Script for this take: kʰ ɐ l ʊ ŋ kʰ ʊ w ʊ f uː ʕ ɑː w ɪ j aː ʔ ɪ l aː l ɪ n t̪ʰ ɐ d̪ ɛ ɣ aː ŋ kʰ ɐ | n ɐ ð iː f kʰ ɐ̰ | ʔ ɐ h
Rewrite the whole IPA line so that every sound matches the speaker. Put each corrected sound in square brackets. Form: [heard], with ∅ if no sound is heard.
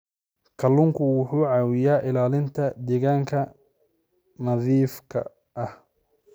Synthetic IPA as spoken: kʰ ɐ l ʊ ŋ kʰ ʊ w ʊ [ħ] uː ʕ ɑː w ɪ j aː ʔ ɪ l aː l ɪ n t̪ʰ ɐ d̪ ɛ ɣ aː ŋ kʰ ɐ | n ɐ ð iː f kʰ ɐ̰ | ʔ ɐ h

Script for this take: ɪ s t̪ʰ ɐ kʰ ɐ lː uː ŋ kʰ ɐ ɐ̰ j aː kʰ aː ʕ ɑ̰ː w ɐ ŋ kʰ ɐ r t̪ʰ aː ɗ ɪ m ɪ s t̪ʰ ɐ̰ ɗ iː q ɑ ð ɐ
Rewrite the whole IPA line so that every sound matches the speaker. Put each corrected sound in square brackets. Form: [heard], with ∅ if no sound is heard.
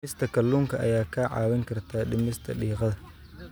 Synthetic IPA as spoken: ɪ s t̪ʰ ɐ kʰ ɐ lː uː ŋ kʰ ɐ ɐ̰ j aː kʰ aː ʕ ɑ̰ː w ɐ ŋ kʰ ɐ r t̪ʰ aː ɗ ɪ m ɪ s t̪ʰ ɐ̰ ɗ iː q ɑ ð ɐ

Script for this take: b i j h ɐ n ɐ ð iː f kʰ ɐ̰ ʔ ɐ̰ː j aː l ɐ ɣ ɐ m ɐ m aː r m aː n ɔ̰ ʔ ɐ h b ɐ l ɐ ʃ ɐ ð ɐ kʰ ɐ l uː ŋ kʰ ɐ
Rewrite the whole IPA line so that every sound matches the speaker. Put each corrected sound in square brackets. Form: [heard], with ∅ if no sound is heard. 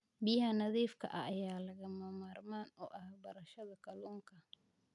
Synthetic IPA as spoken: b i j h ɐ n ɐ ð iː f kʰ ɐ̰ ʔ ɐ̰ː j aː l ɐ ɣ ɐ m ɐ m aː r m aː n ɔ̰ ʔ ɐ h b ɐ [ɾ] ɐ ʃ ɐ ð ɐ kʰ ɐ l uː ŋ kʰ ɐ

